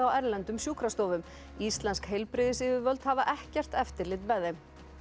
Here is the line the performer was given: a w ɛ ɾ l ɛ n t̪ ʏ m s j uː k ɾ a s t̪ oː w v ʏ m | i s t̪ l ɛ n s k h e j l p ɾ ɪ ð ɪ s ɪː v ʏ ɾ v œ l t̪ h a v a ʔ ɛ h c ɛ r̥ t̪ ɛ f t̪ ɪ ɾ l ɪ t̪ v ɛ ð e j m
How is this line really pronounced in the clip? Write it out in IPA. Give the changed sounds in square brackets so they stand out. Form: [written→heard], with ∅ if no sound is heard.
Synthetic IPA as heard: a w ɛ ɾ l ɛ n t̪ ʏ m s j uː k ɾ a s t̪ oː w v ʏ m | i s t̪ l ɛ n s k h e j l p ɾ ɪ ð ɪ s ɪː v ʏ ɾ v œ l t̪ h a v a ʔ ɛ h c ɛ r̥ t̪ ɛ f t̪ ɪ ɾ l ɪ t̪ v ɛ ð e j m